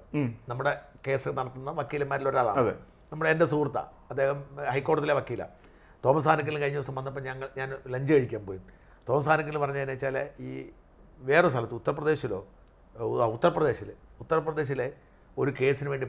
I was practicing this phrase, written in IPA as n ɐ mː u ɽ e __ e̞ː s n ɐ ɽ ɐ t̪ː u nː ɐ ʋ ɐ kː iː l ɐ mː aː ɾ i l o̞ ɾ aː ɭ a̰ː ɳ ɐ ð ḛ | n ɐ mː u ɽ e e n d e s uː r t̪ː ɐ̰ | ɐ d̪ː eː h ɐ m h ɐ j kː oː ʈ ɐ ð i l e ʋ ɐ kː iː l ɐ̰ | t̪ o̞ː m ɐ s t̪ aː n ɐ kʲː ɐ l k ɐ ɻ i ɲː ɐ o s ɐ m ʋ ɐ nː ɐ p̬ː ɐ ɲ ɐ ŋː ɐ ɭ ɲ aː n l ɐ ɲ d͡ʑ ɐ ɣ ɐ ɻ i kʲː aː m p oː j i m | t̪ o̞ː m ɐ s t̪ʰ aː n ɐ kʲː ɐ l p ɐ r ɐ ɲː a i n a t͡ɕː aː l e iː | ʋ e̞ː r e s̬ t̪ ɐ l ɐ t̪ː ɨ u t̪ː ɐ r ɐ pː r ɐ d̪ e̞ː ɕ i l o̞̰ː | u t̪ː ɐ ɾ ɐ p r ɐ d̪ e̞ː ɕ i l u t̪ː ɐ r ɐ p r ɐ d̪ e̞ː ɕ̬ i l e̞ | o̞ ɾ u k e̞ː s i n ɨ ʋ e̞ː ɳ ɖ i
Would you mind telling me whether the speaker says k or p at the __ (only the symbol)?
k